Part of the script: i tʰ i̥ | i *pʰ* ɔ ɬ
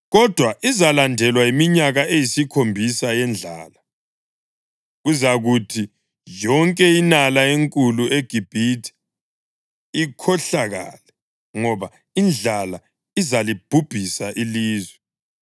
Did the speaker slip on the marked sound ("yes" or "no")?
yes